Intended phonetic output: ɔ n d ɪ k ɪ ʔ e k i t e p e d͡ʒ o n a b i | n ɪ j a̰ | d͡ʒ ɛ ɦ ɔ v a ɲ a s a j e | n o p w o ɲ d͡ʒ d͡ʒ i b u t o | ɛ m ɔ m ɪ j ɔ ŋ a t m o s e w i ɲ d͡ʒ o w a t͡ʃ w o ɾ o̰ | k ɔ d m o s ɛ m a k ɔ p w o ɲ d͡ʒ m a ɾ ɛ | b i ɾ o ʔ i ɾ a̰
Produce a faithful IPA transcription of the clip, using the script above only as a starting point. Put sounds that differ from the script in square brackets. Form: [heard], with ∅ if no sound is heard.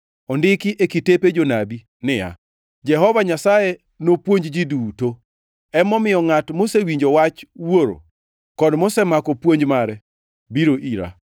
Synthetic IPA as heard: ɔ n d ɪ k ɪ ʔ e k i t e p e d͡ʒ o n a b i | n ɪ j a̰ | d͡ʒ ɛ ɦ ɔ v a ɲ a s a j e | n o p w o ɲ d͡ʒ d͡ʒ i [d] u t o | ɛ m ɔ m ɪ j ɔ ŋ a t m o s e w i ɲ d͡ʒ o w a t͡ʃ w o ɾ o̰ | k ɔ d m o s ɛ m a k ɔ p w o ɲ d͡ʒ m a ɾ ɛ | b i ɾ o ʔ i ɾ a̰

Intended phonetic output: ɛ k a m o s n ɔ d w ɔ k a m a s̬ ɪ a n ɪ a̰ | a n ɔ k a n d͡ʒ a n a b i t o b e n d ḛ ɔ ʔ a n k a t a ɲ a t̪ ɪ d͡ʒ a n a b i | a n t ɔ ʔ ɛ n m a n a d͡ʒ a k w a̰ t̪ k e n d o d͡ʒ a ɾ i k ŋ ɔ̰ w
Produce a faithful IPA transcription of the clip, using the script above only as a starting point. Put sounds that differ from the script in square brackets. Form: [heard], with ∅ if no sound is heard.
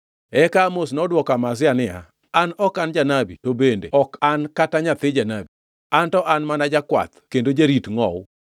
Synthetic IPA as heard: ɛ k a m o s n ɔ d w ɔ k a m a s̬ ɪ a n ɪ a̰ | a n ɔ k a n d͡ʒ a n a b i t o b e n d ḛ ɔ [k] a n k a t a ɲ a t̪ ɪ d͡ʒ a n a b i | a n t ɔ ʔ [a] n m a n a d͡ʒ a k w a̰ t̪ k e n d o d͡ʒ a ɾ i [t] ŋ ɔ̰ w

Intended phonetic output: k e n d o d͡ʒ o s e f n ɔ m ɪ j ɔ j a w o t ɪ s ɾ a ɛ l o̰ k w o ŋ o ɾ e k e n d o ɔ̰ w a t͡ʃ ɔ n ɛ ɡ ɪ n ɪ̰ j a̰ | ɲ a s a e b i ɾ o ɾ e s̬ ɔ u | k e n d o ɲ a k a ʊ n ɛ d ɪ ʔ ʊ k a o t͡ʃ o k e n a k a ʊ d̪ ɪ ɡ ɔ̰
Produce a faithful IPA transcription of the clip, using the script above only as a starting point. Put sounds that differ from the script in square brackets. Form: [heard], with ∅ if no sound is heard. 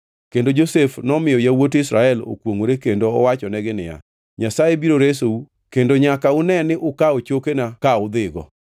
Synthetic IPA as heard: k e n d o d͡ʒ o s e f n ɔ m ɪ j ɔ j a w o t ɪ s ɾ a ɛ l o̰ k w o ŋ o ɾ e k e n d o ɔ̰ w a t͡ʃ ɔ n ɛ ɡ ɪ n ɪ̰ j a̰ | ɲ a s a e b i ɾ o ɾ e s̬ [o] u | k e n d o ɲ a k a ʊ n ɛ [n] ɪ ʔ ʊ k a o t͡ʃ o k e n a k a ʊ d̪ ɪ ɡ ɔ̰

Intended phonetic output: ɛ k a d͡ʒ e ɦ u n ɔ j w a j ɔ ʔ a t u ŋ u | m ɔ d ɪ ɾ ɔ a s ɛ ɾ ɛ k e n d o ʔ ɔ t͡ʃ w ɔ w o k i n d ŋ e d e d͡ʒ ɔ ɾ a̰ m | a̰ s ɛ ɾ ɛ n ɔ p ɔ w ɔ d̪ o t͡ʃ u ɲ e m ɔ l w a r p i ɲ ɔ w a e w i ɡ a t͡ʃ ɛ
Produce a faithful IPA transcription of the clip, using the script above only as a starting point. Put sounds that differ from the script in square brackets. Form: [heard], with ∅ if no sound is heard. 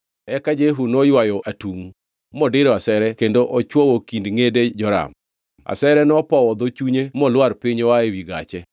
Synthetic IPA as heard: ɛ k a d͡ʒ e ɦ u n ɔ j w a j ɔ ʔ a t u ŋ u | m ɔ d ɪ ɾ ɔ a s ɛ ɾ ɛ k e n d o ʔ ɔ t͡ʃ w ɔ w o k i n d ŋ e d e d͡ʒ ɔ ɾ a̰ m | a̰ s ɛ ɾ ɛ n ɔ p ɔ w ɔ d̪ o t͡ʃ u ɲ e m ɔ l w a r p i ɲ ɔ w a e w i ɡ a t͡ʃ ɛ

